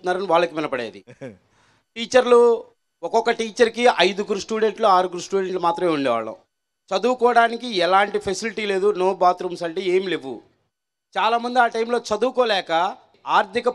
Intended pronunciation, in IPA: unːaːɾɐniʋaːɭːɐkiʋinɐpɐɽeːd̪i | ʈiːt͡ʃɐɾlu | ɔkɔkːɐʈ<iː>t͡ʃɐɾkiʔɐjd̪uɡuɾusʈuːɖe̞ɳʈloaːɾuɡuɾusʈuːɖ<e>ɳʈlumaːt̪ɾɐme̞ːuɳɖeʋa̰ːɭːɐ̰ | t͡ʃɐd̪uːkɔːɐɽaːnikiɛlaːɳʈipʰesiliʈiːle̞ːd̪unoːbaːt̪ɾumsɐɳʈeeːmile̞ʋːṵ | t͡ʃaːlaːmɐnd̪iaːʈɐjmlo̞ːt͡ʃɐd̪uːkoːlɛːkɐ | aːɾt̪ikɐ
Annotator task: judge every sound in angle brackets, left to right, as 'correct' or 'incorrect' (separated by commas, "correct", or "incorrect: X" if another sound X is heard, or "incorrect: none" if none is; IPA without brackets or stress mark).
correct, correct